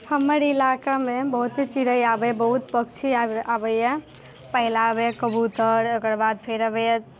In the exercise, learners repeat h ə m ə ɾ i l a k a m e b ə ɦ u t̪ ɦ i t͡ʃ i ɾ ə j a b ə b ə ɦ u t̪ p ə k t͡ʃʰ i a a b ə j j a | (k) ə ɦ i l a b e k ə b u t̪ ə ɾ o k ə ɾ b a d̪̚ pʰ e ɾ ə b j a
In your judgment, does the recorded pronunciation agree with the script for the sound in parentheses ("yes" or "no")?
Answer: no